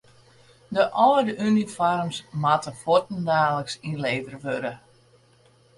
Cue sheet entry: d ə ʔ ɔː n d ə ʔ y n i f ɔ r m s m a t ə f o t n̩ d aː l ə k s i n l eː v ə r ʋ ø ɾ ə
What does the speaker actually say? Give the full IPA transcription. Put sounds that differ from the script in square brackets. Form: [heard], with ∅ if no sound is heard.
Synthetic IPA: d ə ʔ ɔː [∅] d ə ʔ y n i f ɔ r m s m a t ə f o t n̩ d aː l ə k s i n l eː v ə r ʋ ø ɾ ə